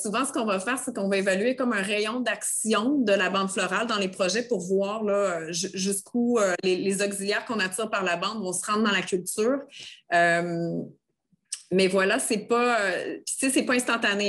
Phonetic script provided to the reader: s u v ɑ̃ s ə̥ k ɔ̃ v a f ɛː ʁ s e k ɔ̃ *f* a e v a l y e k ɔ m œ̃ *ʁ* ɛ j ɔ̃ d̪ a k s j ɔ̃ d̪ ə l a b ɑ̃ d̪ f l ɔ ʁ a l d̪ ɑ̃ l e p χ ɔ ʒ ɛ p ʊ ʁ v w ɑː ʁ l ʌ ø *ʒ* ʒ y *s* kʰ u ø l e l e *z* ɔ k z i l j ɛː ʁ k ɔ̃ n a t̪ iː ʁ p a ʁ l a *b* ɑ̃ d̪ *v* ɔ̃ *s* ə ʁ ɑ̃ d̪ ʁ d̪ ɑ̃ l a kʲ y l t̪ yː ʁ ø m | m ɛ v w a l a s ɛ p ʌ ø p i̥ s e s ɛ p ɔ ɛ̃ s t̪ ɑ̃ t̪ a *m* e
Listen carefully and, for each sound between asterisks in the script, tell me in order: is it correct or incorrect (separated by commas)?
incorrect, correct, correct, correct, correct, correct, correct, correct, incorrect